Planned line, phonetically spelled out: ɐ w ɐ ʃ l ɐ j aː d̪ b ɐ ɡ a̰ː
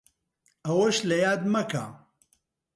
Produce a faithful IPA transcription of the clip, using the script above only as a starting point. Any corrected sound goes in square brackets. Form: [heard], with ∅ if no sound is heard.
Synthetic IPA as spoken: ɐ w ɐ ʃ l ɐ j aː d̪ [m] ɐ [k] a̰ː